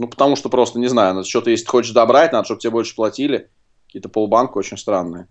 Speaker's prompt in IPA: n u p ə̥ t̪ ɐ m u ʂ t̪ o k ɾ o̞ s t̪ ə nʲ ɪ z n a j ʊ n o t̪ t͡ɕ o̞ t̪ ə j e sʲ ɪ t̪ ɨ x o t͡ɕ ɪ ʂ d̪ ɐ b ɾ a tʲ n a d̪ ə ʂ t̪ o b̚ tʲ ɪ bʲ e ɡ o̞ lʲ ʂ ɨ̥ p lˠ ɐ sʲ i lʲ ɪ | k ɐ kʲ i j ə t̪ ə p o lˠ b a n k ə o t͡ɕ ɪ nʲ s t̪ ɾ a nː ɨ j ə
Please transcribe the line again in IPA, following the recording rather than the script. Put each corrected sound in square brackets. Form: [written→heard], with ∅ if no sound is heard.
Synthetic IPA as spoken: n u p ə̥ t̪ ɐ m u ʂ t̪ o [k→p] ɾ o̞ s t̪ ə nʲ ɪ z n a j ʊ n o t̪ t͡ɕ o̞ t̪ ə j e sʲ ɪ t̪ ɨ x o t͡ɕ ɪ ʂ d̪ ɐ b ɾ a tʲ n a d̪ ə ʂ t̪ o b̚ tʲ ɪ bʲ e [ɡ→b] o̞ lʲ ʂ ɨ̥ p lˠ ɐ [sʲ→tʲ] i lʲ ɪ | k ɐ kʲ i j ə t̪ ə p o lˠ b a n k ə o t͡ɕ ɪ nʲ s t̪ ɾ a nː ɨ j ə